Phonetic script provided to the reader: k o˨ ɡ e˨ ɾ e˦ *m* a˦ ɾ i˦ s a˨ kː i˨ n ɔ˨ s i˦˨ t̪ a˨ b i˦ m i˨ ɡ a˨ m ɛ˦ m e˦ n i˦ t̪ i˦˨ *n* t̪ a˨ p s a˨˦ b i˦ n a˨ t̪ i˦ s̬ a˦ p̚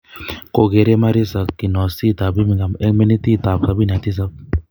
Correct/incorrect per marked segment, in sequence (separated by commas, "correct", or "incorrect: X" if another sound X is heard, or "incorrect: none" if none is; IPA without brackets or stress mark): correct, incorrect: none